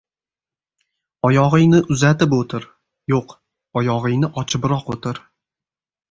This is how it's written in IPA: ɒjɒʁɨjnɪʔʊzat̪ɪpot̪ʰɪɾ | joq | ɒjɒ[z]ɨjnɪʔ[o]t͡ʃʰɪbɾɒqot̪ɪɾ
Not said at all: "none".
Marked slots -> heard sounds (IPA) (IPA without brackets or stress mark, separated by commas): ʁ, ɒ